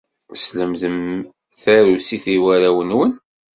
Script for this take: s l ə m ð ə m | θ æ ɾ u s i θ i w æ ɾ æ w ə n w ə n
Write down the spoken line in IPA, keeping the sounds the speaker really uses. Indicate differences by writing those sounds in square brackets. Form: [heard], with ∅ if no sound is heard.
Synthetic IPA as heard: s l ə m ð ə m | θ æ ɾ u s i θ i w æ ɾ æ w ə n w ə n